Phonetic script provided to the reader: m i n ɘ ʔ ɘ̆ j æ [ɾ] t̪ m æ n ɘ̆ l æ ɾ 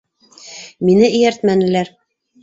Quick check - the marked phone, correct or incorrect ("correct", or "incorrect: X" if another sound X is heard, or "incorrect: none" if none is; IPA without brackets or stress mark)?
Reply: correct